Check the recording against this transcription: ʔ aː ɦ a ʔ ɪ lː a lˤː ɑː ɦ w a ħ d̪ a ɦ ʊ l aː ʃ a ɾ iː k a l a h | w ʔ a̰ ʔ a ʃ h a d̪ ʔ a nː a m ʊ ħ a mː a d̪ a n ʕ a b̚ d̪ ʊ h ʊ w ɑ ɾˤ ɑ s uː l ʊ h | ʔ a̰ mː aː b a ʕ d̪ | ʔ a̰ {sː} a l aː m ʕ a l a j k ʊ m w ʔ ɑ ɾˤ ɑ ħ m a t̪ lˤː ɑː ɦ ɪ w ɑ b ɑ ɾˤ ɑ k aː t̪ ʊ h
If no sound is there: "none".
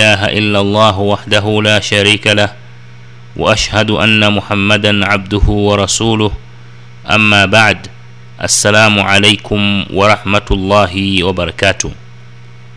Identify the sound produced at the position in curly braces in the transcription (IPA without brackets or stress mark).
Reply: sː